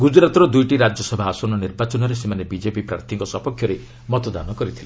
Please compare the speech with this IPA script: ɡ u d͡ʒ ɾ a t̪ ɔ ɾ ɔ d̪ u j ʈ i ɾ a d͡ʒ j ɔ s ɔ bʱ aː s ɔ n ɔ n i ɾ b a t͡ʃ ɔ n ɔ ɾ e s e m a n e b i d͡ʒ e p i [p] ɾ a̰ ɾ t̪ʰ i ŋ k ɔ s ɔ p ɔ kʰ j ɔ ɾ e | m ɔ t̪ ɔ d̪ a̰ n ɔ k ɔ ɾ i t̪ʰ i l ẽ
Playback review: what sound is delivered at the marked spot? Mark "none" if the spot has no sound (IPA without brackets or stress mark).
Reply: p